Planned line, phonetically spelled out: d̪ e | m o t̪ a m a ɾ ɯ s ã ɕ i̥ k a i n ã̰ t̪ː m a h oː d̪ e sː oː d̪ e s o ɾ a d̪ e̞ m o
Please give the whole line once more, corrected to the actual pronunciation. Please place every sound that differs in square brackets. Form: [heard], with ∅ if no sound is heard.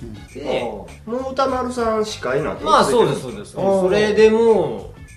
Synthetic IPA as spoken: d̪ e | m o t̪ a m a ɾ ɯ s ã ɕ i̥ k a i n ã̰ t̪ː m a [s] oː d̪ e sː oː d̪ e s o ɾ [e] d̪ e̞ m o